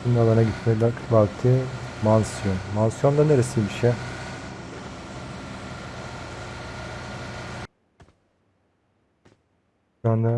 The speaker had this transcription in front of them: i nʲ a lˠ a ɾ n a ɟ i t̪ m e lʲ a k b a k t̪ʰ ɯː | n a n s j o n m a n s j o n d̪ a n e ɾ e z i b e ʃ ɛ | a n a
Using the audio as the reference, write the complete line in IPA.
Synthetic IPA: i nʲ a lˠ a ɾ n a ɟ i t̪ m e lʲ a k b a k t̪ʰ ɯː | m a n s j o n m a n s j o n d̪ a n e ɾ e s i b i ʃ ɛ | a n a